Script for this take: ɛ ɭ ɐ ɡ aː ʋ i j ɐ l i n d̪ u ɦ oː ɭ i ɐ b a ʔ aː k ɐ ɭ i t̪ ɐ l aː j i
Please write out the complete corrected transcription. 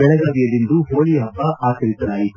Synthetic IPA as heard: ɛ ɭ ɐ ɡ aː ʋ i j ɐ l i n d̪ u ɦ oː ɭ i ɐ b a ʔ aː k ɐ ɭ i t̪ ɐ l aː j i